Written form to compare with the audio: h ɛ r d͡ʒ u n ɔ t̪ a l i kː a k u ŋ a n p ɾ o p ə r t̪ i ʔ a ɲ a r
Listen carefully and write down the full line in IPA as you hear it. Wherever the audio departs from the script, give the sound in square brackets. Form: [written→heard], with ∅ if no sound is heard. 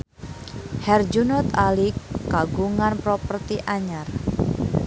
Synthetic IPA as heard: h ɛ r d͡ʒ u n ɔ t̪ a l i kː a [k→ɡ] u ŋ a n p ɾ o p ə r t̪ i ʔ a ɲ a r

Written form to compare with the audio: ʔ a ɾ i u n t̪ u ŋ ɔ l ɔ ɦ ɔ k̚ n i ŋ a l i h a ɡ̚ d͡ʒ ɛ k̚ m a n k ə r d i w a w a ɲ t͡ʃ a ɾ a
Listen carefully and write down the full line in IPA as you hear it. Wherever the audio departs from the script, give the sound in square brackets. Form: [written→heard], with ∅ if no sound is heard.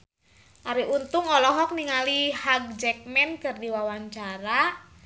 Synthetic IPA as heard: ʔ a ɾ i u n t̪ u ŋ ɔ l ɔ ɦ ɔ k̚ n i ŋ a l i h a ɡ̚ d͡ʒ ɛ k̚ m [a→ɛ] n k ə r d i w a w a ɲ t͡ʃ a ɾ a

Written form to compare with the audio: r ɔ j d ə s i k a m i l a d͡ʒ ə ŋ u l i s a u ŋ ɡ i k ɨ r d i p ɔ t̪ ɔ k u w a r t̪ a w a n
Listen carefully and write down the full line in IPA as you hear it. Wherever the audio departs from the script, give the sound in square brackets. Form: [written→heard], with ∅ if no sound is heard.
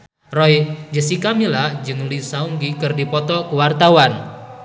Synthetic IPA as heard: r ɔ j [d→d͡ʒ] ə s i k a m i l a d͡ʒ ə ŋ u l i s a u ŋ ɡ i k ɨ r d i p ɔ t̪ ɔ k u w a r t̪ a w a n

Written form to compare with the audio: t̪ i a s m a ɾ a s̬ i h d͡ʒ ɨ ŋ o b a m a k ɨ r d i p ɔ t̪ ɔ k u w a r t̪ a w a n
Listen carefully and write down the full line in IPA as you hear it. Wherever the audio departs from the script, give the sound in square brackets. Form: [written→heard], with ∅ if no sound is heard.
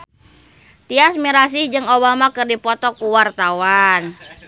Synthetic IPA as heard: t̪ i a s m [a→i] ɾ a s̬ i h d͡ʒ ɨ ŋ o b a m a k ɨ r d i p ɔ t̪ ɔ k u w a r t̪ a w a n

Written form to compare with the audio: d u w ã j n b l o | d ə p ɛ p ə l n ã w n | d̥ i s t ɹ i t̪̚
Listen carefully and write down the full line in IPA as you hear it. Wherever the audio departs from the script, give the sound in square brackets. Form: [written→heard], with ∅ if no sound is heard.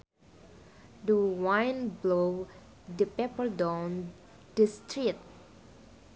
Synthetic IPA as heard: d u w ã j n b l o | d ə p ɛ p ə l [n→d] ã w n | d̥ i s t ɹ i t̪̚

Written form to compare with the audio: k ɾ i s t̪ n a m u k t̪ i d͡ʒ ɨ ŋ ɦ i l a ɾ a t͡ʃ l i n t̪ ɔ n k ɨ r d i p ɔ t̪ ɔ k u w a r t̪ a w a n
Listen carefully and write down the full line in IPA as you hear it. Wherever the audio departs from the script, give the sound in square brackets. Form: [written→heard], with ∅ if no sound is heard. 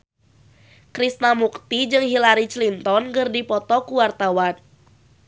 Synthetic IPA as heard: k ɾ i s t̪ n a m u k t̪ i d͡ʒ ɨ ŋ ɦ i l a ɾ [a→i] t͡ʃ l i n t̪ ɔ n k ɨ r d i p ɔ t̪ ɔ k u w a r t̪ a w a n

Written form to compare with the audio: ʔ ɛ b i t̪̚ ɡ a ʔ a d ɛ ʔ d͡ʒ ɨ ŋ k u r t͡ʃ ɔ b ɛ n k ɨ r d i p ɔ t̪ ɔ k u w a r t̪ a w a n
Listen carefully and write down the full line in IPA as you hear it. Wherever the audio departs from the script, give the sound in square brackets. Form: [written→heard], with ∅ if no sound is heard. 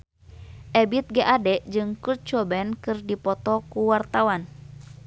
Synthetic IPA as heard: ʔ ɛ b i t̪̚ ɡ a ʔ a d ɛ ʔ d͡ʒ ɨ ŋ k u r t͡ʃ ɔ b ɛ n k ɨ r d i p ɔ t̪ ɔ k u w a r t̪ a w a n

